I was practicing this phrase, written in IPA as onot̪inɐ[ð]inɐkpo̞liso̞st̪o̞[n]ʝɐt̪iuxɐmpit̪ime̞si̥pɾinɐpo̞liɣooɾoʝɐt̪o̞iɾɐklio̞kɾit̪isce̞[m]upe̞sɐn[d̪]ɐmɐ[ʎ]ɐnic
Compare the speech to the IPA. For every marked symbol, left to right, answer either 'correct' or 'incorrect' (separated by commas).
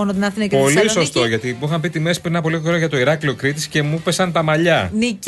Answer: incorrect, incorrect, correct, incorrect, correct